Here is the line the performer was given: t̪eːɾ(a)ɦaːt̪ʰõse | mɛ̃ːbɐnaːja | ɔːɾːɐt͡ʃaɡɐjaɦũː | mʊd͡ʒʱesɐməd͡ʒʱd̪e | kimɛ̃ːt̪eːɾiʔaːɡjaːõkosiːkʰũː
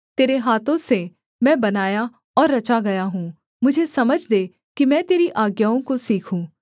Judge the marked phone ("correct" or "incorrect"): incorrect